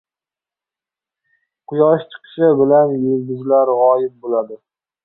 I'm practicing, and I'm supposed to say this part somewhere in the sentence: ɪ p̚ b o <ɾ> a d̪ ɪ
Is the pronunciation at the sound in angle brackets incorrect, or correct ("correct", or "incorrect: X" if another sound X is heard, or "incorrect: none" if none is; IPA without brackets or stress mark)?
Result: incorrect: l